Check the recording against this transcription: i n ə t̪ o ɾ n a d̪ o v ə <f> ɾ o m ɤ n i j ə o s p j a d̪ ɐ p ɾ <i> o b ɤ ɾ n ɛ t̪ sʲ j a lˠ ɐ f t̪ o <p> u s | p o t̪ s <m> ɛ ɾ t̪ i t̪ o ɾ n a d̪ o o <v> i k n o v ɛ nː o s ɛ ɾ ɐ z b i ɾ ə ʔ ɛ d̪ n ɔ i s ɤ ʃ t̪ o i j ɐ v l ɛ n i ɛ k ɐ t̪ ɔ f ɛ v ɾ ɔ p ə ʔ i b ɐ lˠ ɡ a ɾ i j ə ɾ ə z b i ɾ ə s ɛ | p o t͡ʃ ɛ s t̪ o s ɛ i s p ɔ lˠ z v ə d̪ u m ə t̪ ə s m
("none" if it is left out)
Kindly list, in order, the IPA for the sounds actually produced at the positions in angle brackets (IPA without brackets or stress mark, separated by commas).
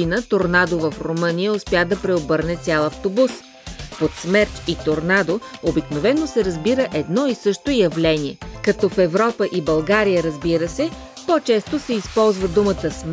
f, ɛ, b, m, b